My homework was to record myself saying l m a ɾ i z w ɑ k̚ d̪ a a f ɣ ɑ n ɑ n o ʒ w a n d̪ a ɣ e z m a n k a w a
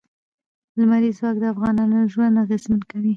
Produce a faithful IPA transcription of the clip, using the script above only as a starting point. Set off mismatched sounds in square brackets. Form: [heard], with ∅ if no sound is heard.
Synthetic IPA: l m a ɾ i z w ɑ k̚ d̪ [ə] a f ɣ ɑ n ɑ n o ʒ w a n d̪ a ɣ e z m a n k a w [i]